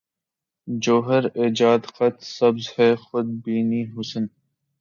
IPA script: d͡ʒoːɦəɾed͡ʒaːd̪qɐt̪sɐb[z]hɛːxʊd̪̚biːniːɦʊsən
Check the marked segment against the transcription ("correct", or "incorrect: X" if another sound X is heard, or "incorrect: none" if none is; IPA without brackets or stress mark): correct